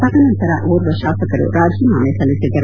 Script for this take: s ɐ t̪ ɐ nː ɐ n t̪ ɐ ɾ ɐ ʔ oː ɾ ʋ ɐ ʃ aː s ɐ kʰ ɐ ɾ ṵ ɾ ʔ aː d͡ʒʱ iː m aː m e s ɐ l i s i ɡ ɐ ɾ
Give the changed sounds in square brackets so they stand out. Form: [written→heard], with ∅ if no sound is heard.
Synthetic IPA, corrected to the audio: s ɐ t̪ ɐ [nː→n] ɐ n t̪ ɐ ɾ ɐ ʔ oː ɾ ʋ ɐ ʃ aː s ɐ [kʰ→k] ɐ ɾ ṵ ɾ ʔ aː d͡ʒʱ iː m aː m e s ɐ l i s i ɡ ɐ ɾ